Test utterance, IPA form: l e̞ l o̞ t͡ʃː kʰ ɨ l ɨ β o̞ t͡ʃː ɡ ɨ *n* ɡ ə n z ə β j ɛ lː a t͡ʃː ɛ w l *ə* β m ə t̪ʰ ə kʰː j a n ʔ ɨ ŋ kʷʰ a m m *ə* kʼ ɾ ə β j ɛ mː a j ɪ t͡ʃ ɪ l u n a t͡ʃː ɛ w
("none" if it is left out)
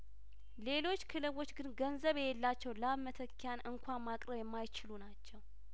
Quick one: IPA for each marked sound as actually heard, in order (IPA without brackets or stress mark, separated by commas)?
n, a, a